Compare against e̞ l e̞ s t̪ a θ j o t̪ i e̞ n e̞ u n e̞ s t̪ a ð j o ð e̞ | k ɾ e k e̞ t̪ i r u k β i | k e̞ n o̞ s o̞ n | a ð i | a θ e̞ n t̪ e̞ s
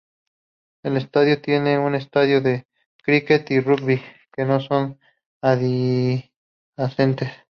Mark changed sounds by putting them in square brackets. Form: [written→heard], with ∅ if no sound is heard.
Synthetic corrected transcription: e̞ l e̞ s t̪ a [θ→ð] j o t̪ [i→j] e̞ n e̞ u n e̞ s t̪ a ð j o ð e̞ | k ɾ [e→i] k e̞ t̪ i r u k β i | k e̞ n o̞ s o̞ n | a ð i | a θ e̞ n t̪ e̞ s